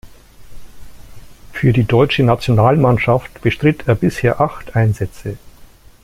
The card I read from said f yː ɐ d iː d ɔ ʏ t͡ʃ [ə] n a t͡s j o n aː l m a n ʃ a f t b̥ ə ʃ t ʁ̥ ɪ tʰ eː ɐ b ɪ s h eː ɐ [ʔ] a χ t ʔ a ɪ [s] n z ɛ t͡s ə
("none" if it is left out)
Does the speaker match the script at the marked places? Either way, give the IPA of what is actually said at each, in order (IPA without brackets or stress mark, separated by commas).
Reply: ə, ʔ, none